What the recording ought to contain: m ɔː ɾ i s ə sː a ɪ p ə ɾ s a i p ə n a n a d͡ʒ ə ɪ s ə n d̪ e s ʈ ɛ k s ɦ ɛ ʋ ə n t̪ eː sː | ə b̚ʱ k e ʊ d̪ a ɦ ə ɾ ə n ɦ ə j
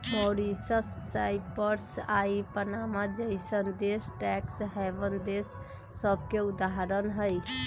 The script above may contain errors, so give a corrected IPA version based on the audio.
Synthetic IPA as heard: m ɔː ɾ i s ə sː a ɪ p ə ɾ s a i p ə n a m a d͡ʒ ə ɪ s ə n d̪ e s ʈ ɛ k s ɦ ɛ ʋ ə n d̪ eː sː | ə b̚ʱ k e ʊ d̪ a ɦ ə ɾ ə n ɦ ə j